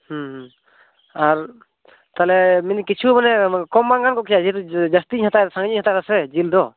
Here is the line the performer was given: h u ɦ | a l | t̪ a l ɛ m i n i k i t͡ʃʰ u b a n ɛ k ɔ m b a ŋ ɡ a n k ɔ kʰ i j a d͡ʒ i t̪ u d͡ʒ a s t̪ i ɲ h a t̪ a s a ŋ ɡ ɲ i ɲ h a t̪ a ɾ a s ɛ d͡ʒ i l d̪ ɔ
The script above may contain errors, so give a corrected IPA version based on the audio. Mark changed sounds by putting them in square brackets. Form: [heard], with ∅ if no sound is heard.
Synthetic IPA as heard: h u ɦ | a [ɾ] | t̪ a l ɛ m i n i k i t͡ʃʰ u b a n ɛ k ɔ m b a ŋ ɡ a n k ɔ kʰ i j a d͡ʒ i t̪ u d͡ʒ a s t̪ i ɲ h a t̪ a s a ŋ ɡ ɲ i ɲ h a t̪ a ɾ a s ɛ d͡ʒ i l d̪ ɔ